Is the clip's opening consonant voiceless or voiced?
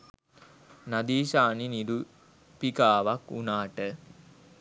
voiced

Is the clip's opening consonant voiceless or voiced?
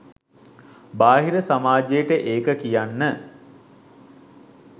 voiced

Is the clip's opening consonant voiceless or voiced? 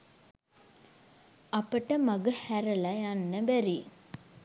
voiceless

